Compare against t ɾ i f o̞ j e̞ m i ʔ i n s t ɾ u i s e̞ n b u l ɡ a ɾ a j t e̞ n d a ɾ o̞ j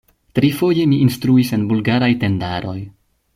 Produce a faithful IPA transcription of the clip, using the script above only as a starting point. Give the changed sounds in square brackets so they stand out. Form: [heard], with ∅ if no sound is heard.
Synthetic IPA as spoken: t ɾ i f o̞ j e̞ m i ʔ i n s t ɾ u i s e̞ n b u l ɡ a ɾ a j t e̞ n d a ɾ o̞ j